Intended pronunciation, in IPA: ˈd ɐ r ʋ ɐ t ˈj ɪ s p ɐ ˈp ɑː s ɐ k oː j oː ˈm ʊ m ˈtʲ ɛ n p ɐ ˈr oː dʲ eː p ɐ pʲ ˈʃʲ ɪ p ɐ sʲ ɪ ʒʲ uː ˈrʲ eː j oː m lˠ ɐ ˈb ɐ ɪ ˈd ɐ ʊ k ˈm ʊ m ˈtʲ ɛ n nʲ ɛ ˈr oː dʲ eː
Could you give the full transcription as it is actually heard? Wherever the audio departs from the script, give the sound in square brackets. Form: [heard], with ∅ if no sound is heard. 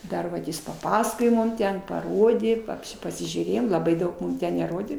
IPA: ˈd ɐ r ʋ ɐ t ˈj ɪ s p ɐ ˈp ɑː s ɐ k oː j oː ˈm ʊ m ˈtʲ ɛ n p ɐ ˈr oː dʲ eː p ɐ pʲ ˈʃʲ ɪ p ɐ sʲ ɪ ʒʲ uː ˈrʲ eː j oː m lˠ ɐ ˈb ɐ ɪ ˈd ɐ ʊ k ˈm ʊ m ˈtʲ ɛ n nʲ ɛ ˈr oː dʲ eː